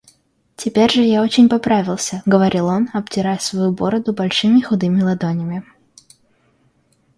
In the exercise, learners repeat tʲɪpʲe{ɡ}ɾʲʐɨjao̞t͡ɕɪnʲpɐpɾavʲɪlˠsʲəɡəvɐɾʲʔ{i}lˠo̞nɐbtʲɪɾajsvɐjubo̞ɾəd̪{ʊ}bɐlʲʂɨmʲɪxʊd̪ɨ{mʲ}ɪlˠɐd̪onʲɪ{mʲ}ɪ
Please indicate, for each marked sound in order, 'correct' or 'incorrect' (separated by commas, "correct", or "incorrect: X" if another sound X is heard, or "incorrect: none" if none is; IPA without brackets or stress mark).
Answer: incorrect: none, correct, correct, correct, correct